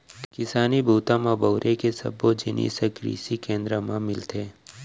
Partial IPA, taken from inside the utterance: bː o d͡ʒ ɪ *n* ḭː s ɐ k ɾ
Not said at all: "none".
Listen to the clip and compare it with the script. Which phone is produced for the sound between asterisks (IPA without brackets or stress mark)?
n